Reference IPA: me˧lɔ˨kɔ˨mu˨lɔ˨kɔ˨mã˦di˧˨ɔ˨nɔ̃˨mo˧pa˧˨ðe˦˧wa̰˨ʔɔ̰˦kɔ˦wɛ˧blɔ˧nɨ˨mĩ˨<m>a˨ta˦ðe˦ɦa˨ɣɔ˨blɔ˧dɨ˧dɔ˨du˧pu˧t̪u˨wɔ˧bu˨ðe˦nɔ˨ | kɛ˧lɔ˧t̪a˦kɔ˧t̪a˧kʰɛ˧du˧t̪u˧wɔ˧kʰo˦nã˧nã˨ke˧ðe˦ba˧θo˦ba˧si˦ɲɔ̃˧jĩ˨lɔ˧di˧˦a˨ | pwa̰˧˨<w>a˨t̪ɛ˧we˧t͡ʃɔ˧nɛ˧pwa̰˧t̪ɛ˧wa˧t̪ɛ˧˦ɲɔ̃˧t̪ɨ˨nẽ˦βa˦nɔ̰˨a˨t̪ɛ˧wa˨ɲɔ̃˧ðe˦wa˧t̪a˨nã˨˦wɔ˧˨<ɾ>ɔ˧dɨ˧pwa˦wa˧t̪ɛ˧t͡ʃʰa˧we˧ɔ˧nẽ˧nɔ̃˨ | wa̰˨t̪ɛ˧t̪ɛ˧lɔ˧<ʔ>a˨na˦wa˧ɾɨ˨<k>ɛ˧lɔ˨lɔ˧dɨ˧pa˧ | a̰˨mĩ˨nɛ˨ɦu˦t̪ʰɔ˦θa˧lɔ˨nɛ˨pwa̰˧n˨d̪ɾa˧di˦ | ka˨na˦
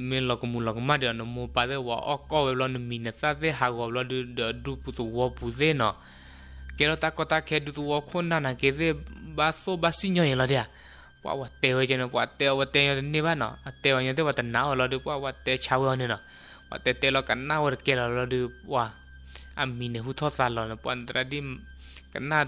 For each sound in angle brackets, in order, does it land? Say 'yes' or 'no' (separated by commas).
no, yes, no, no, yes